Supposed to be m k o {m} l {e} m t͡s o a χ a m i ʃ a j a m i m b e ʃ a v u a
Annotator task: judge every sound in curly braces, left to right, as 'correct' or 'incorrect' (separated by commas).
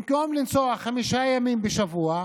correct, incorrect